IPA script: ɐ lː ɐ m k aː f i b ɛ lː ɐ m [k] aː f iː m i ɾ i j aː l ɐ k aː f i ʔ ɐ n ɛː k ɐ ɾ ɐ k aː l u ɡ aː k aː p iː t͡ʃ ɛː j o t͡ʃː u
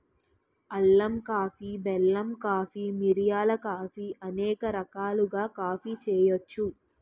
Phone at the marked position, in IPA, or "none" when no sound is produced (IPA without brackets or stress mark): k